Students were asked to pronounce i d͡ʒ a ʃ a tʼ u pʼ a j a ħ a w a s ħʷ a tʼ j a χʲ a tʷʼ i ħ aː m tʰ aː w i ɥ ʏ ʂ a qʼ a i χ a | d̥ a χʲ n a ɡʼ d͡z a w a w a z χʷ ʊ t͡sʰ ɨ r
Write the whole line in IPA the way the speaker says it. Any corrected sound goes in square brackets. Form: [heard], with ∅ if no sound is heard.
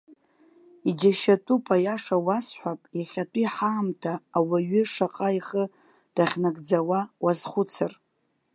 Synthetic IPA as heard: i d͡ʒ a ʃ a tʼ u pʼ a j a [ʂ] a w a s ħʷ a [pʼ] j a χʲ a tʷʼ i ħ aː m tʰ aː w [a] ɥ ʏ ʂ a qʼ a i χ [ə] | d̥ a χʲ n a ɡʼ d͡z a w a w a z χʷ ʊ t͡sʰ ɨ r